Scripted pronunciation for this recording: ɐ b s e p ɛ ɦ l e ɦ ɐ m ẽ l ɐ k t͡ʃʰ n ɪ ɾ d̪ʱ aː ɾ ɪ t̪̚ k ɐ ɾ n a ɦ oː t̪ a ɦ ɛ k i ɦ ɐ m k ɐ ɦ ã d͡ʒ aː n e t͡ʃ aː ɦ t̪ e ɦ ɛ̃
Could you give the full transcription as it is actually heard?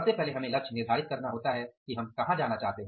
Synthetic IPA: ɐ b s e p ɛ ɦ l e ɦ ɐ m ẽ l ɐ k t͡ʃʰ n ɪ ɾ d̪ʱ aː ɾ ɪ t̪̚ k ɐ ɾ n a ɦ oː t̪ a ɦ ɛ k i ɦ ɐ m k ɐ ɦ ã d͡ʒ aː n a t͡ʃ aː ɦ t̪ e ɦ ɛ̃